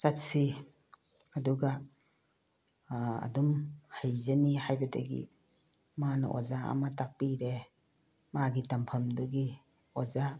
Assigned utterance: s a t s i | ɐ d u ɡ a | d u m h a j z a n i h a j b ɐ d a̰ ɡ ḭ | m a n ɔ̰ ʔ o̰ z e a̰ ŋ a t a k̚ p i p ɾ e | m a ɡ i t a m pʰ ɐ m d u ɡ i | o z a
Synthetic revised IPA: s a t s i | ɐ d u ɡ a | d u m h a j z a n i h a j b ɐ d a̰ ɡ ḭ | m a n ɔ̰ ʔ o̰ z a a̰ m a t a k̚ p i ɾ e | m a ɡ i t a m pʰ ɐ m d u ɡ i | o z a